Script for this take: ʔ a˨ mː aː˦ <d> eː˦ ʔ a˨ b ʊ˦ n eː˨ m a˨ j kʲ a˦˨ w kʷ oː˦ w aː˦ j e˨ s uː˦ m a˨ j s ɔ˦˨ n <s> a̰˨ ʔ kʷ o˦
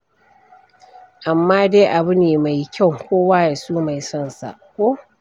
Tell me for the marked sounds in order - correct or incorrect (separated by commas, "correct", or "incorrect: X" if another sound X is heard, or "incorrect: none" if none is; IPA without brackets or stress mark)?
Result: correct, correct